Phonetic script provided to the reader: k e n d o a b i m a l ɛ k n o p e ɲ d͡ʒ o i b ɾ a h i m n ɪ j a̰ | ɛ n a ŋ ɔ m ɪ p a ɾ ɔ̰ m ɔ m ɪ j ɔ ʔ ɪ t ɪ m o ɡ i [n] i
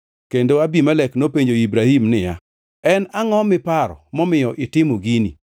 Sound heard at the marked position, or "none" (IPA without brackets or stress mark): n